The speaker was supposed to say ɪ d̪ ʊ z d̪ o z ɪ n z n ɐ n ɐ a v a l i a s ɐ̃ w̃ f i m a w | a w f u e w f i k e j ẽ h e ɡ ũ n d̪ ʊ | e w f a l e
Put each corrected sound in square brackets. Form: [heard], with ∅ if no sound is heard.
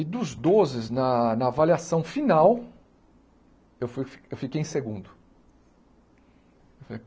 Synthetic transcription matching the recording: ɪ d̪ ʊ z d̪ o z ɪ [∅] z n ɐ n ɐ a v a l i a s ɐ̃ w̃ f i [n] a w | [e] w f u e w f i k e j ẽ [s] e ɡ ũ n d̪ ʊ | e w f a l e